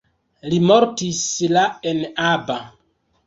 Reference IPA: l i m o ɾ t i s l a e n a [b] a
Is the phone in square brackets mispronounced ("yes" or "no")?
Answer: no